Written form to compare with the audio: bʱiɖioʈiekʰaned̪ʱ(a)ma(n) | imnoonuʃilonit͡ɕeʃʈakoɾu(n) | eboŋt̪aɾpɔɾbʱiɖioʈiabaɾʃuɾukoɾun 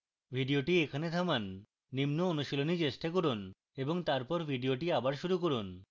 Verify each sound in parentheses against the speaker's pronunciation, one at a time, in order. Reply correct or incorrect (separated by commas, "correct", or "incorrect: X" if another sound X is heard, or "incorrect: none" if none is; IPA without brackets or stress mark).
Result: correct, incorrect: nː, correct